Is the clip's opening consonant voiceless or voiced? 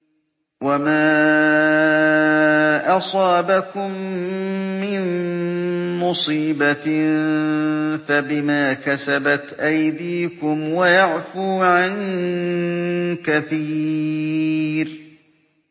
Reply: voiced